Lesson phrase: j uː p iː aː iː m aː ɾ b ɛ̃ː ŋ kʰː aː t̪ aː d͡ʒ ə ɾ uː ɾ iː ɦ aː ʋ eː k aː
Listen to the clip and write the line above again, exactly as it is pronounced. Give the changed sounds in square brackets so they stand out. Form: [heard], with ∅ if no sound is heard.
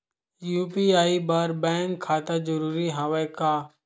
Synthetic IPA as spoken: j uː p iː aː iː [b] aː ɾ b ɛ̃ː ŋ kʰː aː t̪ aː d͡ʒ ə ɾ uː ɾ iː ɦ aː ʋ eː k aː